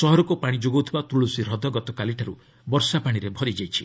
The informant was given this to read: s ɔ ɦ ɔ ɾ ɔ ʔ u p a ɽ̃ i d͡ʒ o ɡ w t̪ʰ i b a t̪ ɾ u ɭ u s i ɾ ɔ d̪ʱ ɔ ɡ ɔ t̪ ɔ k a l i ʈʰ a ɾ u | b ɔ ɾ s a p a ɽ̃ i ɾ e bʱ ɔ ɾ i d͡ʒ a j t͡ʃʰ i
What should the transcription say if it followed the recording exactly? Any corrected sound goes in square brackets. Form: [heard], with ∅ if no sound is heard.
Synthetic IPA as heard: s ɔ ɦ ɔ ɾ ɔ [k] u p a ɽ̃ i d͡ʒ o ɡ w t̪ʰ i b a t̪ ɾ u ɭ u s i ɾ ɔ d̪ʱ ɔ ɡ ɔ t̪ ɔ k a l i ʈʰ a ɾ u | b ɔ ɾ s a p a ɽ̃ i ɾ e bʱ ɔ ɾ i d͡ʒ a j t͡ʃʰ i